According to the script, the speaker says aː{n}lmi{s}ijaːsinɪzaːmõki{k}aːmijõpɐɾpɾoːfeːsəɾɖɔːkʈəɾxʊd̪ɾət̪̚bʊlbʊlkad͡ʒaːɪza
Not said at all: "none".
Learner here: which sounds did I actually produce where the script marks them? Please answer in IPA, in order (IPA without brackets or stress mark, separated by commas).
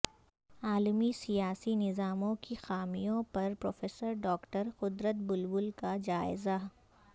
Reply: none, s, x